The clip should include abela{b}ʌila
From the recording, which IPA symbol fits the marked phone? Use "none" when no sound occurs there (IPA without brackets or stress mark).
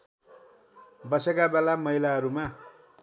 m